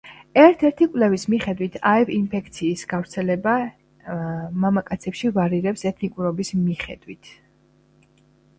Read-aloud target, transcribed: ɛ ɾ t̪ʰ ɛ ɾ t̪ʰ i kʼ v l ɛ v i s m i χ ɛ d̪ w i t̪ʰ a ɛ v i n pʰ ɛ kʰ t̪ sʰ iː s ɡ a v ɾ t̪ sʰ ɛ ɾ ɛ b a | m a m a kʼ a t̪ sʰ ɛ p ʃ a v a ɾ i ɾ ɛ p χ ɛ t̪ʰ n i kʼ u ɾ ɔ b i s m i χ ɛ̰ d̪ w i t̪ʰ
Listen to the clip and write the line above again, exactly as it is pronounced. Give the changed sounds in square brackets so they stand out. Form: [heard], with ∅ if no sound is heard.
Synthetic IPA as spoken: ɛ ɾ t̪ʰ ɛ ɾ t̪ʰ i kʼ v l ɛ v i s m i χ ɛ d̪ w i t̪ʰ a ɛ v i n pʰ ɛ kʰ t̪ sʰ iː s ɡ a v ɾ t̪ sʰ ɛ [l] ɛ b a | m a m a kʼ a t̪ sʰ ɛ p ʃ [i] v a ɾ i ɾ ɛ p [s] ɛ t̪ʰ n i kʼ u ɾ ɔ b i s m i χ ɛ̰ d̪ w i t̪ʰ